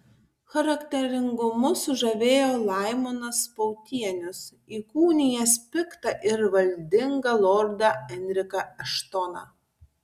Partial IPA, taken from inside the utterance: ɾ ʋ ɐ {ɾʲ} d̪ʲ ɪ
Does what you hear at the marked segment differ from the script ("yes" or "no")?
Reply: yes